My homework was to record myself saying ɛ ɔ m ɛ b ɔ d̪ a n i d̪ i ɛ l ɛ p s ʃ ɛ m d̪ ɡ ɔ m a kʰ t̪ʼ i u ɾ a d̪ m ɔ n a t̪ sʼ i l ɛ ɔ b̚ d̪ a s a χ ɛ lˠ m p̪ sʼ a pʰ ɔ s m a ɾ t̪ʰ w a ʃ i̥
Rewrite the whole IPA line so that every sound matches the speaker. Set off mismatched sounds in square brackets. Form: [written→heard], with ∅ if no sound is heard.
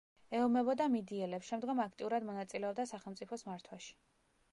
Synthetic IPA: ɛ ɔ m ɛ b ɔ d̪ a [n→m] i d̪ i ɛ l ɛ p s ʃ ɛ m d̪ ɡ ɔ m a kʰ t̪ʼ i u ɾ a d̪ m ɔ n a t̪ sʼ i l ɛ ɔ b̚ d̪ a s a χ ɛ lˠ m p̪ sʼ [a→i] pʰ ɔ s m a ɾ t̪ʰ w a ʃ i̥